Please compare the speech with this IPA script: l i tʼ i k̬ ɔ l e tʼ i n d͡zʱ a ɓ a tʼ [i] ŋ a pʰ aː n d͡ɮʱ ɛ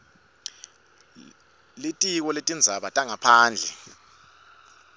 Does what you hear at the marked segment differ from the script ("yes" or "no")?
yes